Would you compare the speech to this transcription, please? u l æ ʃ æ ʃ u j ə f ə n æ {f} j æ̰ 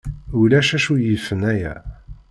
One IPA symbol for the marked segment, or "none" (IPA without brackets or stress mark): none